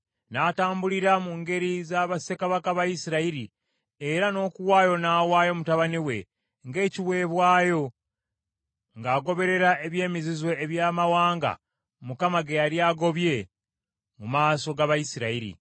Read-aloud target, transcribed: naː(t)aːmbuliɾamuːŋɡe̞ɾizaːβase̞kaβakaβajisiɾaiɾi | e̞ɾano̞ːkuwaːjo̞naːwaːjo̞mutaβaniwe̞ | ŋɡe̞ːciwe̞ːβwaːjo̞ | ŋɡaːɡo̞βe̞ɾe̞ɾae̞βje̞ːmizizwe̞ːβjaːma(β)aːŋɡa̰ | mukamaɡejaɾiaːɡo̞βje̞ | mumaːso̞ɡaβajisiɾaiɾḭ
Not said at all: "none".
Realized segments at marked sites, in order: t, w

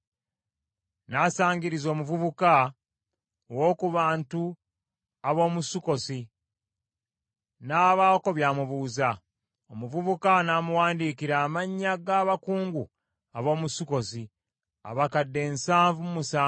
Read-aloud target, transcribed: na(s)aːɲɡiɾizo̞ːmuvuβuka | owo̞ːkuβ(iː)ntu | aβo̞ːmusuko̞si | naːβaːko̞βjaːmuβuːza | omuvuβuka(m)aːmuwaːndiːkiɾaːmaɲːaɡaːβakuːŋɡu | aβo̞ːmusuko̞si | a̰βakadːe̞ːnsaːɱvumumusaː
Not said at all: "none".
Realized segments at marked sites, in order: s, aː, n

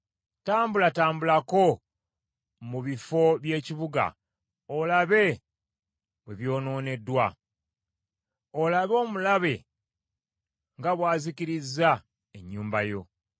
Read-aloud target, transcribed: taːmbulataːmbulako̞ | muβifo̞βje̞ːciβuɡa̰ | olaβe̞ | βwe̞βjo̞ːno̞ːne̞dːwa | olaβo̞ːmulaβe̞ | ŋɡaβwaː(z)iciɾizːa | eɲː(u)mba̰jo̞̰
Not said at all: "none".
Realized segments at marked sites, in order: z, uː

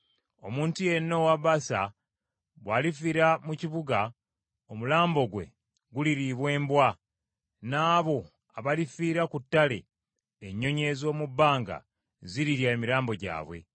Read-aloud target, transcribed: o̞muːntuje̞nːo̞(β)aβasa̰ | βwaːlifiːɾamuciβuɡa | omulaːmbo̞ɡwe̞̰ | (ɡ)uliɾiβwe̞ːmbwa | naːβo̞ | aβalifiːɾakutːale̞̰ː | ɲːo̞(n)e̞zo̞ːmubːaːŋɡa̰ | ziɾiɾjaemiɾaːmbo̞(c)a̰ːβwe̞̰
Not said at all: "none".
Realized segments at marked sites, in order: w, ɡ, ɲ, ɟ

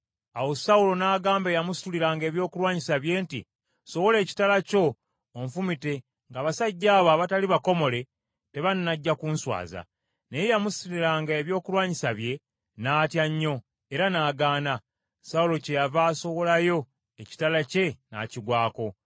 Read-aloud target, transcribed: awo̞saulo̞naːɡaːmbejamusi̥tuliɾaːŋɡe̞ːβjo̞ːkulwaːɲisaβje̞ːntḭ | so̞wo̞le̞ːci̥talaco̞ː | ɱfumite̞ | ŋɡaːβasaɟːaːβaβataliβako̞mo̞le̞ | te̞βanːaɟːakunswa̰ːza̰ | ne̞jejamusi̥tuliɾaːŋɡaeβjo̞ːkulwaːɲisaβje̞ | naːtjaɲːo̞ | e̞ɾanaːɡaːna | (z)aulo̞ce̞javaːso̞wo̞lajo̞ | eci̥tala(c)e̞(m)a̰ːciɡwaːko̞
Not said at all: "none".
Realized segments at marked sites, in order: s, c, n

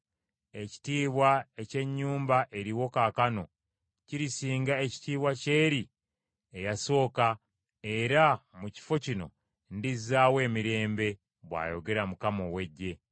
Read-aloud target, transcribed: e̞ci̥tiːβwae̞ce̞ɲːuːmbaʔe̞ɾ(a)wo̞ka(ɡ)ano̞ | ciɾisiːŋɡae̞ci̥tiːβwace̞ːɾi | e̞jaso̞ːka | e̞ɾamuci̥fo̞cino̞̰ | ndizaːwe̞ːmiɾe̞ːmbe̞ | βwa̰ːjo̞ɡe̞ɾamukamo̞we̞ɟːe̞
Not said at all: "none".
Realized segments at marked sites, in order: i, k

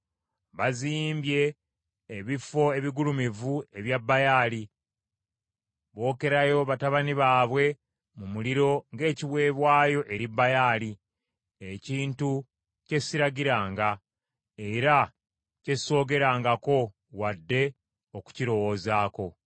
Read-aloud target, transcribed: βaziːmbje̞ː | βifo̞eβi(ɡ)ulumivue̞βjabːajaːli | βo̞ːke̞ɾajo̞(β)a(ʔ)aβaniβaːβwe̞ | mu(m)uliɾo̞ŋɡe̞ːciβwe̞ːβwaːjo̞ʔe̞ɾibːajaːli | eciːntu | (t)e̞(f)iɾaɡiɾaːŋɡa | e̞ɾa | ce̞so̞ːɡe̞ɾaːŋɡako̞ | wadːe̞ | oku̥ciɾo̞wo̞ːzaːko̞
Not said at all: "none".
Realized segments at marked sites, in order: ɡ, β, t, m, c, s

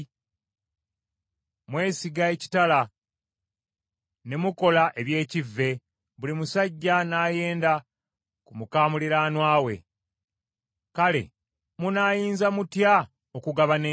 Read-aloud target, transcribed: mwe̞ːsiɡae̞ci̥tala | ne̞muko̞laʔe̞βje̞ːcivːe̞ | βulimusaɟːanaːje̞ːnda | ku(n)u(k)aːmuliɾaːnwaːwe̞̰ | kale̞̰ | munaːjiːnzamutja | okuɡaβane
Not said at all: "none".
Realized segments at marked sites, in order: m, k

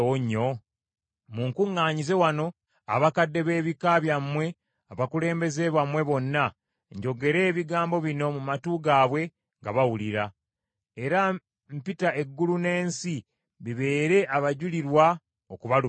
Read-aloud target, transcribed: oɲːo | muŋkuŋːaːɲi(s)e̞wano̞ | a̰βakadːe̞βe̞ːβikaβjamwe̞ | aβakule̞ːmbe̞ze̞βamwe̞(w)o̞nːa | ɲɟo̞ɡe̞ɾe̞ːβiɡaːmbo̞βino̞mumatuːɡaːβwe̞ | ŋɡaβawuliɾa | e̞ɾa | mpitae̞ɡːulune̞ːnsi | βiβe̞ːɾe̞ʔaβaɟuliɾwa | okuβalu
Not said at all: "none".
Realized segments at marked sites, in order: z, β

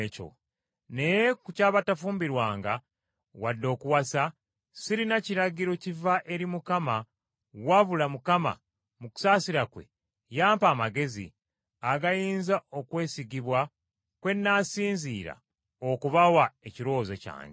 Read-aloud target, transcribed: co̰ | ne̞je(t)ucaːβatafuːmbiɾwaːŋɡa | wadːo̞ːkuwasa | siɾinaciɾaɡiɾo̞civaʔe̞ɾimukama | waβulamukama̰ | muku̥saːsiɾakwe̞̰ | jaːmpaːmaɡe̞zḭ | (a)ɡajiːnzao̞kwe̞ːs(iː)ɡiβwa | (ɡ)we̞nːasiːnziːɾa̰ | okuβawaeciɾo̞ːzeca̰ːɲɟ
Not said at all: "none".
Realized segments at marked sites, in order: k, a, i, k

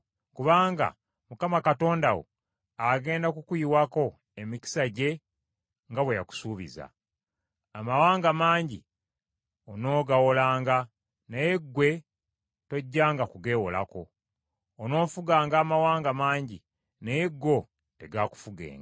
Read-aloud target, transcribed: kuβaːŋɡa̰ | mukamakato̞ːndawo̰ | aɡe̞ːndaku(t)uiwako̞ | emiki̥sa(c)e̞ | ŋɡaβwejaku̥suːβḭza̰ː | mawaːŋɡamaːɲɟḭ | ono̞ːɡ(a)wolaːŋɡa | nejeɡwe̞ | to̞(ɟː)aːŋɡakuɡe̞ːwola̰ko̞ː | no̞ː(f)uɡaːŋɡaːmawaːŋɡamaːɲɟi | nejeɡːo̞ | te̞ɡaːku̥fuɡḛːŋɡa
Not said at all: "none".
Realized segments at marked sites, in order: k, ɟ, a, ɟː, f

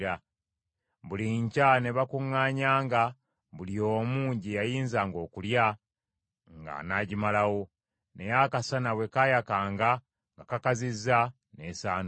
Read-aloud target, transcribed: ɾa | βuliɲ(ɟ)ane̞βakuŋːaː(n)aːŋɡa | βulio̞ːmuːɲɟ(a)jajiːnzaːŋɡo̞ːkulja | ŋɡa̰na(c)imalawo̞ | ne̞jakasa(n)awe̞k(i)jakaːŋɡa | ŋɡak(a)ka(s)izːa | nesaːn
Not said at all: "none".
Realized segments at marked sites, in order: c, ɲ, i, ɟ, n, a, a, z

